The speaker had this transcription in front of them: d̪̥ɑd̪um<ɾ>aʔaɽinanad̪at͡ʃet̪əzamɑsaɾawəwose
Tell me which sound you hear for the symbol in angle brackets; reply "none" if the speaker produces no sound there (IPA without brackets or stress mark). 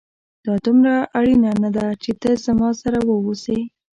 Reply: ɾ